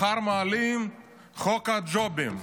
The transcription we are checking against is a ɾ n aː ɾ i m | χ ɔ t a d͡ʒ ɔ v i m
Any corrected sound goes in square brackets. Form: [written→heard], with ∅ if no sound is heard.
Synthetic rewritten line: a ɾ [n→m] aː [ɾ→l] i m | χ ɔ [t→k] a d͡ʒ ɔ [v→b] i m